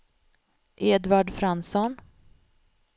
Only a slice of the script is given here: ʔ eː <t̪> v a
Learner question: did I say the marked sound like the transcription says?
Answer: no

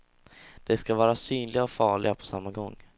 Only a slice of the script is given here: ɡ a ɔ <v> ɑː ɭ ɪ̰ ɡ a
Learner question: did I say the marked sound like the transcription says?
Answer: no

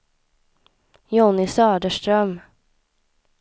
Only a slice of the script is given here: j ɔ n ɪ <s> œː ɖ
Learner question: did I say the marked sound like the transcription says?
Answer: yes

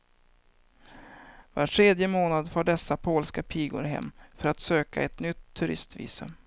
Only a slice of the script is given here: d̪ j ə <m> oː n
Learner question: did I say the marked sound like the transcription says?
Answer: yes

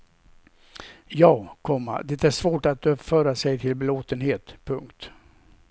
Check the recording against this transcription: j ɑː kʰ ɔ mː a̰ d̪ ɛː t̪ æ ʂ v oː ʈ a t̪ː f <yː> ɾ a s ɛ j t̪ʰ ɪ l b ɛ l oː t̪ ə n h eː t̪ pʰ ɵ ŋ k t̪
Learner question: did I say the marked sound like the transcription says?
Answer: no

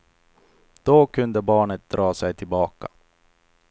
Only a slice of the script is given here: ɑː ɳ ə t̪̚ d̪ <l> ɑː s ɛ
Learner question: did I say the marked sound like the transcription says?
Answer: no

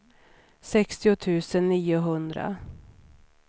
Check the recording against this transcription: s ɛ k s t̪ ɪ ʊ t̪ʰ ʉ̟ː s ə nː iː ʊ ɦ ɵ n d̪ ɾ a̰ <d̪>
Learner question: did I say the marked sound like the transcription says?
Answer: no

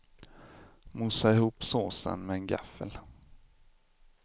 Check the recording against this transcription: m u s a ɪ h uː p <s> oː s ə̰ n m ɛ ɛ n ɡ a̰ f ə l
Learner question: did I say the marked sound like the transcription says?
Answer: yes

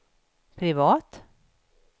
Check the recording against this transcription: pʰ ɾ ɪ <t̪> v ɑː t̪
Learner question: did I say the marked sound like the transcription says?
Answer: no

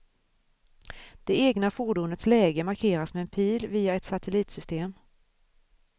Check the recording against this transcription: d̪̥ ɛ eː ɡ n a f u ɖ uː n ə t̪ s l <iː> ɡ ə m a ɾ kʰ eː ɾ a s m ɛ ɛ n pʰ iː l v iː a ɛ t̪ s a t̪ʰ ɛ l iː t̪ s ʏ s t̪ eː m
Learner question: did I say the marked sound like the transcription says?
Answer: no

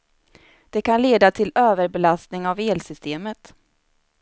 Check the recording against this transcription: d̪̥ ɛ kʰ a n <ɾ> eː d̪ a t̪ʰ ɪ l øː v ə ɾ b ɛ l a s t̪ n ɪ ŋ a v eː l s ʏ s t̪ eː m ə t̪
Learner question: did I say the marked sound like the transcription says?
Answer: no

